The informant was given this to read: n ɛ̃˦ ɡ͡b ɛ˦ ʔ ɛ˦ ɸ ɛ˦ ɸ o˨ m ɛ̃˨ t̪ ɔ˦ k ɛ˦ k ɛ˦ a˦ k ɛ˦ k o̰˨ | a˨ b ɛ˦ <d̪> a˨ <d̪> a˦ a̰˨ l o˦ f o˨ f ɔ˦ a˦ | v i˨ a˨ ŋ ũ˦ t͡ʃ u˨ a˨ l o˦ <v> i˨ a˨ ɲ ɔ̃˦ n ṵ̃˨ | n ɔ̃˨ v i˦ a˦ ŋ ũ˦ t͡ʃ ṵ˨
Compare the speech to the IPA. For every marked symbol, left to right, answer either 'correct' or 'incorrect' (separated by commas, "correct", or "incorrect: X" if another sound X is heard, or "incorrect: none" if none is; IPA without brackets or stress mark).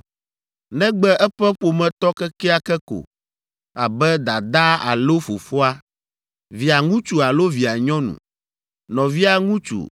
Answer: correct, correct, correct